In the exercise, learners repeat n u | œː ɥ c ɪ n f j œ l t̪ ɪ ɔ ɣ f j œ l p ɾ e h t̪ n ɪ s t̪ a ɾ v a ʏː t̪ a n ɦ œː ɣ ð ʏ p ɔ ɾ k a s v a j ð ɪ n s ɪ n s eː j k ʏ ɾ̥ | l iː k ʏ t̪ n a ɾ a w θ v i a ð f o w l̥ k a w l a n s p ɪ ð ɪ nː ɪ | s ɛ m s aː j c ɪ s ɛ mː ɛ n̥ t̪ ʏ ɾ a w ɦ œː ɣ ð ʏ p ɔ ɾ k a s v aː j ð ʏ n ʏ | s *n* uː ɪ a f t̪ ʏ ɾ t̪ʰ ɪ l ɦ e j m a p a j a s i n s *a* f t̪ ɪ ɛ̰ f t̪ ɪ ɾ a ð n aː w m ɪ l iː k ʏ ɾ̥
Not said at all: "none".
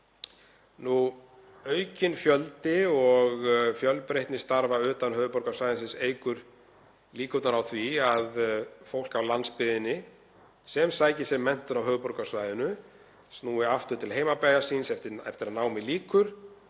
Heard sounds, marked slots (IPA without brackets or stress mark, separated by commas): n, ɛ